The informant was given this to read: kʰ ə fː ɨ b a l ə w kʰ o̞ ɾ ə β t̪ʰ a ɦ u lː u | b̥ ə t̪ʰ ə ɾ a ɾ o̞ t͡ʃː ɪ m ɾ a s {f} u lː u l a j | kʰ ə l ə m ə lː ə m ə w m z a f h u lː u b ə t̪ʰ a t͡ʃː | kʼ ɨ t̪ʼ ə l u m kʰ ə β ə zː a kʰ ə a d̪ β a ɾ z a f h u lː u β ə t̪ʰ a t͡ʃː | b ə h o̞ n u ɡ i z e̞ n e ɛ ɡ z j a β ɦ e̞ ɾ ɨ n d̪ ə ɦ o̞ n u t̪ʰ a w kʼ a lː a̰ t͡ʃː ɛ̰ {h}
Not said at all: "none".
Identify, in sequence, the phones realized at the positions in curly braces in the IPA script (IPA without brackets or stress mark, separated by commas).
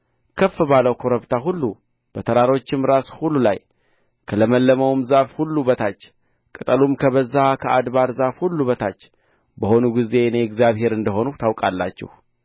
h, h